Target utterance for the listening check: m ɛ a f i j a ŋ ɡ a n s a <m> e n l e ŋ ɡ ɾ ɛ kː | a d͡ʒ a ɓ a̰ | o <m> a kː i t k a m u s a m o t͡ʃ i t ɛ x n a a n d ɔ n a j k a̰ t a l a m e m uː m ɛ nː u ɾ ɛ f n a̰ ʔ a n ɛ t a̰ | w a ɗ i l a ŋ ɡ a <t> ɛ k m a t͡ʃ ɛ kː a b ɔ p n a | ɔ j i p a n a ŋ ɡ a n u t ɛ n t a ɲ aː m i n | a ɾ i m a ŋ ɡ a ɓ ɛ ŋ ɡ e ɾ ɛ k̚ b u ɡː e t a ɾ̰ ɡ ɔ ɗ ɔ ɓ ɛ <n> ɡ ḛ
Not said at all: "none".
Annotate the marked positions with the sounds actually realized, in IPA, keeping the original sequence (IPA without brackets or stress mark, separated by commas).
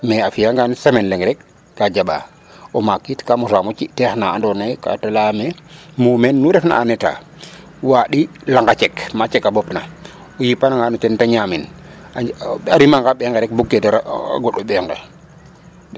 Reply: m, m, t͡ʃ, ŋ